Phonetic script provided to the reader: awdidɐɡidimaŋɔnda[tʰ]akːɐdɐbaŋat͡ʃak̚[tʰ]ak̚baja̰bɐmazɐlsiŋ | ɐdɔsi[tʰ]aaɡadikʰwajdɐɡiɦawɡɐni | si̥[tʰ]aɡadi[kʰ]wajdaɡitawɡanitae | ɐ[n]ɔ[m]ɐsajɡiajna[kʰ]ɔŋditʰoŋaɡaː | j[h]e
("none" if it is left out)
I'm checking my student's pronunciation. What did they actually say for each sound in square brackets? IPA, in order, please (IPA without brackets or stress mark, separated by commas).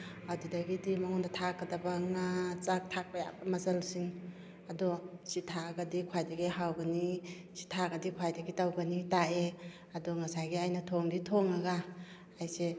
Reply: tʰ, tʰ, tʰ, tʰ, kʰ, d, ŋ, tʰ, s